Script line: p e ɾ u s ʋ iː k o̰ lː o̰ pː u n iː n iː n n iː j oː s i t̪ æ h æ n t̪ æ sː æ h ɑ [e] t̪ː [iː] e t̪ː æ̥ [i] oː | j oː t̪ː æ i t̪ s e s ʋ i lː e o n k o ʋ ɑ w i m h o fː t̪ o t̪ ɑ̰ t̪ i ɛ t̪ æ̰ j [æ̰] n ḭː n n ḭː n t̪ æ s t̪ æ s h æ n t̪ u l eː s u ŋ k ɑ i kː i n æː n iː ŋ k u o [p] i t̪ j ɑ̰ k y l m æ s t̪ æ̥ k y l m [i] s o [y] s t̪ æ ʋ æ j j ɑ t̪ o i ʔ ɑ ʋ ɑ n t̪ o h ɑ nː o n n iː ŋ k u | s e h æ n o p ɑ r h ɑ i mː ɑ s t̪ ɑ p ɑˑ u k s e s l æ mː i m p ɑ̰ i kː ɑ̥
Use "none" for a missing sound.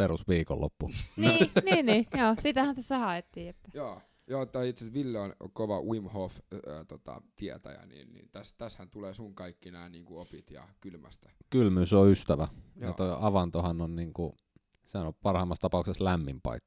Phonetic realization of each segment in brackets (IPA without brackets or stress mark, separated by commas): e, iː, j, æ̰, p, y, y